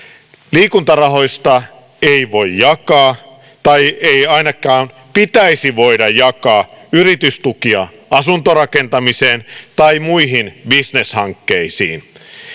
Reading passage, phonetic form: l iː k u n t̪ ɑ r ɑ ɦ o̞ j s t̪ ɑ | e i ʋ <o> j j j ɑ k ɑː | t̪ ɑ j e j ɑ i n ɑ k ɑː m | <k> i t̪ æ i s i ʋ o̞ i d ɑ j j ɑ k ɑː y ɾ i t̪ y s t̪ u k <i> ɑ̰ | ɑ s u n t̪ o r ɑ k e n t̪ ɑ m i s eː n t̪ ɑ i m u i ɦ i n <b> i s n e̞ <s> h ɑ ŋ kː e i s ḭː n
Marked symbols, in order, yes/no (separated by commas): yes, no, yes, yes, yes